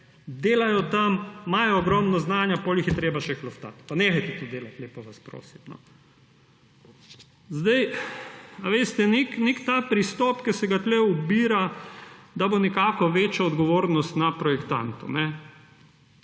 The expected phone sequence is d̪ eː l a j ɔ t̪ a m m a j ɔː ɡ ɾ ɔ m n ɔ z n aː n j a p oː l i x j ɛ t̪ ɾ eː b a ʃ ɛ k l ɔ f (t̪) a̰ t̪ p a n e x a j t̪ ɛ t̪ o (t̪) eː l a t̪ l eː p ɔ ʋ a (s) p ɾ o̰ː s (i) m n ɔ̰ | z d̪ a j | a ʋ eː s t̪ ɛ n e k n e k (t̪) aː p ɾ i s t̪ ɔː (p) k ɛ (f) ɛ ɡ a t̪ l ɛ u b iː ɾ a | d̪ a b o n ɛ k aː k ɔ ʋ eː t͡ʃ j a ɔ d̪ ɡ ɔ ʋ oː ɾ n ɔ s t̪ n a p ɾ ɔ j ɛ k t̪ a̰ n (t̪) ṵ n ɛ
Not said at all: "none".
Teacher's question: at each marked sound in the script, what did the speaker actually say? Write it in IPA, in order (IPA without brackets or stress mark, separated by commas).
t̪, d̪, s, i, t̪, p, s, t̪